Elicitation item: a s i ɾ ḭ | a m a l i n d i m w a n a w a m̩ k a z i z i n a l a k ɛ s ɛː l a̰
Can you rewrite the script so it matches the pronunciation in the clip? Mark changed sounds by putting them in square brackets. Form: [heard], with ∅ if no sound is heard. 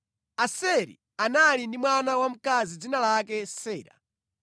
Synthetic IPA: a s [ɛ] ɾ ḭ | a [n] a l i n d i m w a n a w a m̩ k a z i [d͡z] i n a l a k ɛ s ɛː [ɾ] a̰